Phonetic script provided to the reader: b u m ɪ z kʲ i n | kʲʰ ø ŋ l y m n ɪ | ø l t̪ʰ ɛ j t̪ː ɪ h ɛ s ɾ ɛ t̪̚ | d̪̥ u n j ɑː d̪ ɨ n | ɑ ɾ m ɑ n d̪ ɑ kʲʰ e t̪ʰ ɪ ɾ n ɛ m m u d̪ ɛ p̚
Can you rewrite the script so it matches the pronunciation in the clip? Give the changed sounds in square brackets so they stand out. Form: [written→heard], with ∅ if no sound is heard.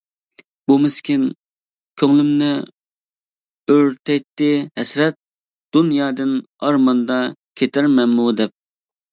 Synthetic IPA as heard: b u m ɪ [z→s] kʲ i n | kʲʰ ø ŋ l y m n ɪ | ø [l→ɾ] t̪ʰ ɛ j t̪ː ɪ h ɛ s ɾ ɛ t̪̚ | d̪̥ u n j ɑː d̪ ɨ n | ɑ ɾ m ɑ n d̪ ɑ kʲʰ e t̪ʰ ɪ ɾ [n→m] ɛ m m u d̪ ɛ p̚

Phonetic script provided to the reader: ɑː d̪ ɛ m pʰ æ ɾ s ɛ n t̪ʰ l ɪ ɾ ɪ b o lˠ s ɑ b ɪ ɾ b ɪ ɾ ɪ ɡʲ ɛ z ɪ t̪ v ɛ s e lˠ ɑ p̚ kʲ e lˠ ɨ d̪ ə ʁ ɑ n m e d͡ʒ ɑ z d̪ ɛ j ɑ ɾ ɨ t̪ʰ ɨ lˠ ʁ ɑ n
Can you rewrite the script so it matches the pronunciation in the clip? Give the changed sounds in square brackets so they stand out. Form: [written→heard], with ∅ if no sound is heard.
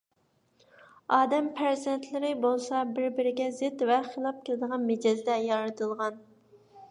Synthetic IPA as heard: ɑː d̪ ɛ m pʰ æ ɾ [s→z] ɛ n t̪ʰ l ɪ ɾ ɪ b o lˠ s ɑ b ɪ ɾ b ɪ ɾ ɪ ɡʲ ɛ z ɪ t̪ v ɛ [s→χ] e lˠ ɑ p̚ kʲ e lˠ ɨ d̪ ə ʁ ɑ n m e d͡ʒ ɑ z d̪ ɛ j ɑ ɾ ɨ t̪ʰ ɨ lˠ ʁ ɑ n

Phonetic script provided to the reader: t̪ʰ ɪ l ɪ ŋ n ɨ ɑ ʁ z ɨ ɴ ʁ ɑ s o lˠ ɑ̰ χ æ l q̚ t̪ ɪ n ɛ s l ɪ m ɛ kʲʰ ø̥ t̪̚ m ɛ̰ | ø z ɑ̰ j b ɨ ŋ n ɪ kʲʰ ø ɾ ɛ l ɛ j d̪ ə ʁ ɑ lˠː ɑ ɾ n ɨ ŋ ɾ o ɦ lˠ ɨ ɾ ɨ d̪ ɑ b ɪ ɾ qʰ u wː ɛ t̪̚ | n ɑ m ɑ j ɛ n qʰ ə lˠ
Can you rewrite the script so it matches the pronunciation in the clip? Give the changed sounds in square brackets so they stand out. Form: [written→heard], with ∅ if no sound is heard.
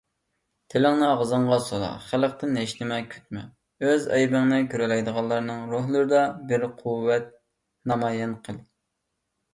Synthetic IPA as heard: t̪ʰ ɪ l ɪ ŋ n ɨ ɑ ʁ z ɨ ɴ ʁ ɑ s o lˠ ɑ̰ χ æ l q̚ t̪ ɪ n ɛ [s→ʃ] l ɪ m ɛ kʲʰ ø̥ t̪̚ m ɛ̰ | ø z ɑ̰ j b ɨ ŋ n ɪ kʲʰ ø ɾ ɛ l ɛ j d̪ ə ʁ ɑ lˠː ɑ ɾ n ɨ ŋ ɾ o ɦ lˠ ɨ ɾ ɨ d̪ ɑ b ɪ ɾ qʰ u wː ɛ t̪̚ | n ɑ m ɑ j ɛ n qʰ ə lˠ

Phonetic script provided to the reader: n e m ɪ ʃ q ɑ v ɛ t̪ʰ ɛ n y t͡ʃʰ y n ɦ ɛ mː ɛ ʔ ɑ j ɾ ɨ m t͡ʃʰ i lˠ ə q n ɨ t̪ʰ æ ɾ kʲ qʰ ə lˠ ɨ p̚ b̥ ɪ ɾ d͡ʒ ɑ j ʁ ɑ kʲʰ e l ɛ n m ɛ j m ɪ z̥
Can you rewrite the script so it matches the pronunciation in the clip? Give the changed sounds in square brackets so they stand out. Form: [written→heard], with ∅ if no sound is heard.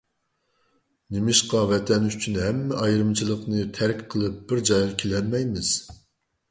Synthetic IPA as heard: n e m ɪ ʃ q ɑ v ɛ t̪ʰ ɛ n y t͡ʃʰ y n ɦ ɛ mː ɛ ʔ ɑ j ɾ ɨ m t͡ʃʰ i lˠ ə q n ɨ t̪ʰ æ ɾ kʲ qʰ ə lˠ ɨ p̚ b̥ ɪ ɾ d͡ʒ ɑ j ʁ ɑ kʲʰ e l ɛ n m ɛ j m ɪ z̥

